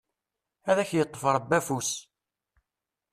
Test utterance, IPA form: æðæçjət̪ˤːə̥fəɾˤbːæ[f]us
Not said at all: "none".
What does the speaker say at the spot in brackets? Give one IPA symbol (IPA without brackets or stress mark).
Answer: f